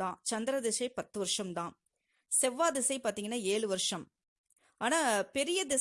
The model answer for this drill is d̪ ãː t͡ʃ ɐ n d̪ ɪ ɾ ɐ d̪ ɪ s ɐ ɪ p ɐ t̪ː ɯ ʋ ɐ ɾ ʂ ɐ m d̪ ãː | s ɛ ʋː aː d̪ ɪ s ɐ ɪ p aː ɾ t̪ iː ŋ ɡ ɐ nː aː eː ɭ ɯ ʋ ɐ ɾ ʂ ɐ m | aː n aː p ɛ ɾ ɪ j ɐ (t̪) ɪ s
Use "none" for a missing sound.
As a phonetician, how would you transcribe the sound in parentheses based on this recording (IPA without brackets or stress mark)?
d̪